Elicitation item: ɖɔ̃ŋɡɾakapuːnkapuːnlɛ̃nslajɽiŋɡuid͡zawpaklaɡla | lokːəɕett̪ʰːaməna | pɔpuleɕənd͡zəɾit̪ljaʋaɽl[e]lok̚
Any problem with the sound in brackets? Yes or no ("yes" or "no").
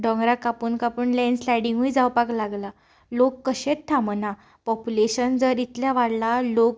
yes